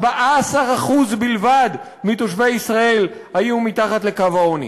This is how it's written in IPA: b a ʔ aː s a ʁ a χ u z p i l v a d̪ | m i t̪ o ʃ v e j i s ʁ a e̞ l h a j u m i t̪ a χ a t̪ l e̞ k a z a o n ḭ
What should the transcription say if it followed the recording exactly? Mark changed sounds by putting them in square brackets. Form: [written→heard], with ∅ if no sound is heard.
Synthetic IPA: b a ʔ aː s a ʁ a χ u z [p→b] i l v a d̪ | m i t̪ o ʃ v e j i s ʁ a e̞ l h a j u m i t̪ a χ a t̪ l e̞ k a [z→v] a o n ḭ